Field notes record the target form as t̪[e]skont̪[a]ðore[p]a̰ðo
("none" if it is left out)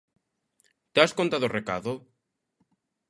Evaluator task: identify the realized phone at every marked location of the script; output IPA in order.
a, a, k

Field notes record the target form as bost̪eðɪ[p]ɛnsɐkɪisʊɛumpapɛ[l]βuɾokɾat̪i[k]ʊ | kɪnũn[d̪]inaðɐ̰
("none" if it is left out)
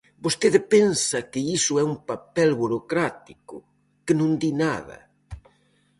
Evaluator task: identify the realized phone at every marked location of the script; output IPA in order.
p, l, k, d̪

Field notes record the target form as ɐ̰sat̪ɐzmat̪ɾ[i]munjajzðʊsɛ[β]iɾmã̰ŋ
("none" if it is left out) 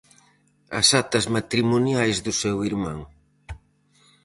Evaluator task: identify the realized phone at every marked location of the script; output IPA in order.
i, w

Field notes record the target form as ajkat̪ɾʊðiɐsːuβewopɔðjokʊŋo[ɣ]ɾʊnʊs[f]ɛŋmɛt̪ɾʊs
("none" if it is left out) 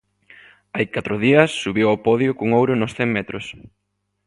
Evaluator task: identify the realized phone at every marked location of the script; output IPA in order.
w, θ

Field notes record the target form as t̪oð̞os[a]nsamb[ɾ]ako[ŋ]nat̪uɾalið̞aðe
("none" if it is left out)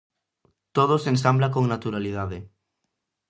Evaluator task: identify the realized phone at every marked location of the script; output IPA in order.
e, l, ŋ

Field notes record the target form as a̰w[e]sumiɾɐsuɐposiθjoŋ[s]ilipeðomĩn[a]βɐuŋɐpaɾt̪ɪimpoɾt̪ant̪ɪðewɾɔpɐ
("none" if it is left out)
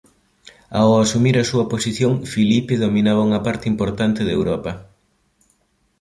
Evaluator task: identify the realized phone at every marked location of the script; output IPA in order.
a, f, a

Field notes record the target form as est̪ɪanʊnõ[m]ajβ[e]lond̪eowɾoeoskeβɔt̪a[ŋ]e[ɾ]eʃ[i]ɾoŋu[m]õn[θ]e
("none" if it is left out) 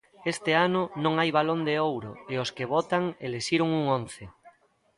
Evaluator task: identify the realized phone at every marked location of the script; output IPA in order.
ŋ, a, ŋ, l, i, ŋ, θ

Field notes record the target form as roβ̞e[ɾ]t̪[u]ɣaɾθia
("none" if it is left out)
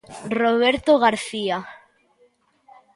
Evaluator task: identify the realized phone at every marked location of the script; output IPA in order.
ɾ, o

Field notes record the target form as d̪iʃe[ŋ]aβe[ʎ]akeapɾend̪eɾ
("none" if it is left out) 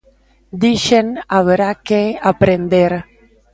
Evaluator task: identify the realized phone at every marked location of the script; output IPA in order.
n, ɾ

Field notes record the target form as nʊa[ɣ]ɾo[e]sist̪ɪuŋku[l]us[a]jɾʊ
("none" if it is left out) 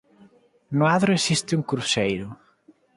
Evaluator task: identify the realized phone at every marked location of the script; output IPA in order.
ð, e, ɾ, e

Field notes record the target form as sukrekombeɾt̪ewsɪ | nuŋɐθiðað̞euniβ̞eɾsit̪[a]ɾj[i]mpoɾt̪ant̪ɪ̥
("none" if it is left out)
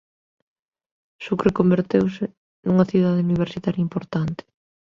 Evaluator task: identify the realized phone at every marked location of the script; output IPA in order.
a, i

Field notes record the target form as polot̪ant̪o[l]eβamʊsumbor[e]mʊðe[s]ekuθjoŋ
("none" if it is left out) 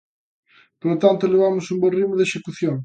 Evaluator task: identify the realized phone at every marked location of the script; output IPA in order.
l, i, ʃ

